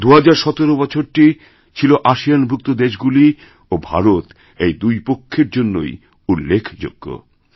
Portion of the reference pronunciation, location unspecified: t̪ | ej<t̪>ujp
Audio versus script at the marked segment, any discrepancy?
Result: yes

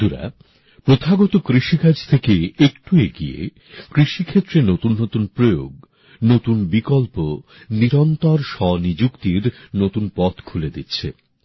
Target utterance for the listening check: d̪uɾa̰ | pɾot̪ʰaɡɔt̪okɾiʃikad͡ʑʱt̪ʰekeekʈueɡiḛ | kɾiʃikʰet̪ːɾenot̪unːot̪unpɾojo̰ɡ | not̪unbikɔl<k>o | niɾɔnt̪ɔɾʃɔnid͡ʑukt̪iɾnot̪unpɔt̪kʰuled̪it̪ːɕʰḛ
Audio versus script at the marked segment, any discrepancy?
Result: yes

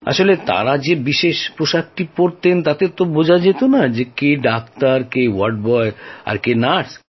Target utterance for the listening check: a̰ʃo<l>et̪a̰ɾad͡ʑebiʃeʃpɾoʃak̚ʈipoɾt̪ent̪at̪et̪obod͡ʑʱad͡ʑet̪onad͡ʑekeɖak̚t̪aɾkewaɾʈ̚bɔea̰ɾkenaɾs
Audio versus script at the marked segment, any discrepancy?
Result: no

